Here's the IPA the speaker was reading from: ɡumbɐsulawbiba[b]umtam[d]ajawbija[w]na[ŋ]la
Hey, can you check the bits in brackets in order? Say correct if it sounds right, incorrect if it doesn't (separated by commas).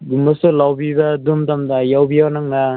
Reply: incorrect, correct, correct, correct